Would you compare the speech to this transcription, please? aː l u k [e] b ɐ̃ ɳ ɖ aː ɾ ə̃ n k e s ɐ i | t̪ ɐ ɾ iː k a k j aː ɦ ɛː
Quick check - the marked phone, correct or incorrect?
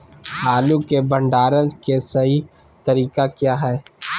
correct